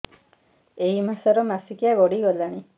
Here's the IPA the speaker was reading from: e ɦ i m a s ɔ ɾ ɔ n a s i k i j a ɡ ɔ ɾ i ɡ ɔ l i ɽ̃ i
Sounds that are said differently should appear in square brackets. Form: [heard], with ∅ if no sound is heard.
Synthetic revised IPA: e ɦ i m a s ɔ ɾ ɔ [m] a s i k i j a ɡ ɔ [ɽ] i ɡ ɔ l [a] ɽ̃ i